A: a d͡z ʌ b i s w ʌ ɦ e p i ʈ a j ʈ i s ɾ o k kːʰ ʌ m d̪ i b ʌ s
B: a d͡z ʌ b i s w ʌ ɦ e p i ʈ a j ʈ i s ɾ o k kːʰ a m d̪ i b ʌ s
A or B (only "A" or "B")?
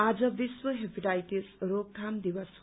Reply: B